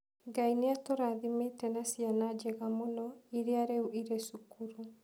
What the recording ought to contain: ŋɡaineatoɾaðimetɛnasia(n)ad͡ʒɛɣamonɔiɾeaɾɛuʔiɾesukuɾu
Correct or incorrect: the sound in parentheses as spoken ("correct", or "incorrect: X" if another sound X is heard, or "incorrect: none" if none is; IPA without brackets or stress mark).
correct